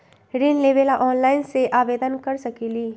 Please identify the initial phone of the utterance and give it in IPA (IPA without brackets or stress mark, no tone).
ɾ